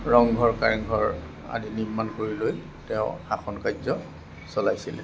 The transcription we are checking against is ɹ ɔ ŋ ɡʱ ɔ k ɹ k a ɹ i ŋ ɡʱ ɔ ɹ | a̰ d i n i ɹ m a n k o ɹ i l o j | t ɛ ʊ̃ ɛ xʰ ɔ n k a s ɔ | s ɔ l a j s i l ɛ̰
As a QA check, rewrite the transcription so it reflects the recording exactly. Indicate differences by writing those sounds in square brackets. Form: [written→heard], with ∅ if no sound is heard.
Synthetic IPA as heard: ɹ ɔ ŋ ɡʱ ɔ [k→∅] ɹ k a ɹ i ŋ ɡʱ ɔ ɹ | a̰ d i n i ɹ m a n k o ɹ i l o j | t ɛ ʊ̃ [ɛ→a] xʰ ɔ n k a [s→z] ɔ | s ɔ l a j s i l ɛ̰